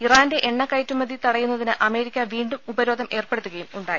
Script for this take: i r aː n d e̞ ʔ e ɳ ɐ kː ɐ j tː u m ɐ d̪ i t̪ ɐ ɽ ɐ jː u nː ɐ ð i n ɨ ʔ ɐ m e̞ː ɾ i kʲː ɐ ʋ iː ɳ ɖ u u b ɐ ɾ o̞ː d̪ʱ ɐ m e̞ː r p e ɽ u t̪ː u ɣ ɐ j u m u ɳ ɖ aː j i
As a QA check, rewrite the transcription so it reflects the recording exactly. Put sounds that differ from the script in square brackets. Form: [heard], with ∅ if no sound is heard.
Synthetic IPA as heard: i r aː n d e̞ ʔ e [ɳː] ɐ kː ɐ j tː u m ɐ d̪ i t̪ ɐ ɽ ɐ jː u nː ɐ ð i n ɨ ʔ ɐ m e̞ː ɾ i kʲː ɐ ʋ iː ɳ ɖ u u b ɐ ɾ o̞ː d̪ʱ ɐ m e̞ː r p e ɽ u t̪ː u ɣ ɐ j u m u ɳ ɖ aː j i